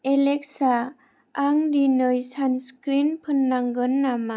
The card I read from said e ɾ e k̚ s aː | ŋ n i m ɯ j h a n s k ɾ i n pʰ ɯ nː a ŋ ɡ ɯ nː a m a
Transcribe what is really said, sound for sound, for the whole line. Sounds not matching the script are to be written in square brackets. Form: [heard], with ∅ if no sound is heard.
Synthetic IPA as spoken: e [l] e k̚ s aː | ŋ [d] i [n] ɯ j [s] a n s k ɾ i n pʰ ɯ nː a ŋ ɡ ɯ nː a m a